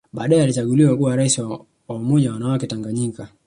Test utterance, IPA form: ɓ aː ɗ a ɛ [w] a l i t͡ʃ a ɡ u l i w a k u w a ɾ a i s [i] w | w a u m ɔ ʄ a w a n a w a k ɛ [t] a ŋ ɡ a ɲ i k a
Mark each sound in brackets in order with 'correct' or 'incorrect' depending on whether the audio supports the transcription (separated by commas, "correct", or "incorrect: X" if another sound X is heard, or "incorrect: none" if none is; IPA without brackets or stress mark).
incorrect: none, correct, correct